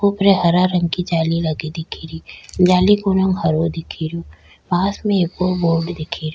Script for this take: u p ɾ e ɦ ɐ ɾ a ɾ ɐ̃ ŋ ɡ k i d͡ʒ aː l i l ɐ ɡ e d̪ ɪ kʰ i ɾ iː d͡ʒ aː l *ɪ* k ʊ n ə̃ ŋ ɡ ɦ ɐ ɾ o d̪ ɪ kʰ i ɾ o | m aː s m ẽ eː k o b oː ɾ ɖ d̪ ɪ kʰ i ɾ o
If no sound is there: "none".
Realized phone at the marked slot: i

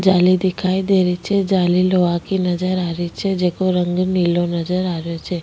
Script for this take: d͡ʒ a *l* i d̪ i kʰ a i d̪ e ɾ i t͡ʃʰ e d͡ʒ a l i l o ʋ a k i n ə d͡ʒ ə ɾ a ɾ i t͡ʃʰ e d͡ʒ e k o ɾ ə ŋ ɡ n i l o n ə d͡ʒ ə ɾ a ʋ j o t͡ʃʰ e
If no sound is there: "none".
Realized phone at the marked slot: l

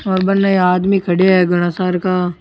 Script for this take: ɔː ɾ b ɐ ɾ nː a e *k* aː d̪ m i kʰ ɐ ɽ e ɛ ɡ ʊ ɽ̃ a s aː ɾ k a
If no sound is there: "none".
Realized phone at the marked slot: none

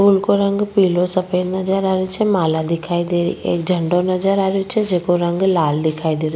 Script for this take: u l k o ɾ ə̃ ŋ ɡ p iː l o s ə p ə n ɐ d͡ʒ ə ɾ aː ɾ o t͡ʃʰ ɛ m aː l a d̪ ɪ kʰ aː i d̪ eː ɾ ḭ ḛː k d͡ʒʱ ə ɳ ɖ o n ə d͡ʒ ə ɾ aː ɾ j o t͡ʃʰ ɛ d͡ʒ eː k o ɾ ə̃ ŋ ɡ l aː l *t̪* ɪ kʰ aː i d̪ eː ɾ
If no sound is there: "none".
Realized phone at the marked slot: d̪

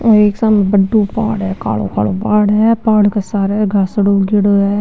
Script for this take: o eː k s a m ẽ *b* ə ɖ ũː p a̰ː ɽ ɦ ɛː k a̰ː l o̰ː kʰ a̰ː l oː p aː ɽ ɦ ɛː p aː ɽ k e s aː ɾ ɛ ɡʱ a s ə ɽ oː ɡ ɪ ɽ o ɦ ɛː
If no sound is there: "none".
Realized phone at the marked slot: b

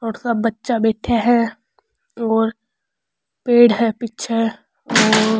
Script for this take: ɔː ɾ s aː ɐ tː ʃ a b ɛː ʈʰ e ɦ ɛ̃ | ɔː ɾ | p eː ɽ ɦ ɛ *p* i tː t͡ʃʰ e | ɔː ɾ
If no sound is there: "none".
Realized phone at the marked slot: p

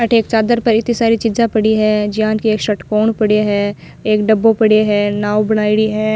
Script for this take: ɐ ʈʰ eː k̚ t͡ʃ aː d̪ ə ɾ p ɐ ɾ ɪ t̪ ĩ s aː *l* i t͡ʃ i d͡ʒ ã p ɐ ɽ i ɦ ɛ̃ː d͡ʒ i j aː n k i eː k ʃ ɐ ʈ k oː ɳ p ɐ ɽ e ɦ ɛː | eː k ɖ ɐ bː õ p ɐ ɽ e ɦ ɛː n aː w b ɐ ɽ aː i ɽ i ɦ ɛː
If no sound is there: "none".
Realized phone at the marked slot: ɾ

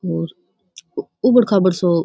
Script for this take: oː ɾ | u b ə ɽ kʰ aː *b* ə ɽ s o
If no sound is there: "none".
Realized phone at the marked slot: b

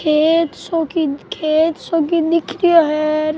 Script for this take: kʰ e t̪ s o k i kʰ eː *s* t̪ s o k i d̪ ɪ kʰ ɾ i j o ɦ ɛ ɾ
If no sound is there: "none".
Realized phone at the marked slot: none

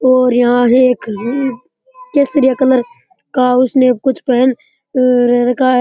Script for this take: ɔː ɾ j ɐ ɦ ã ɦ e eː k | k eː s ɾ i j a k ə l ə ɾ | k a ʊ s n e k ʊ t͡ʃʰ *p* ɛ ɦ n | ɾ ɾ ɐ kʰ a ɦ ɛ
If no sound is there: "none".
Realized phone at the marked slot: p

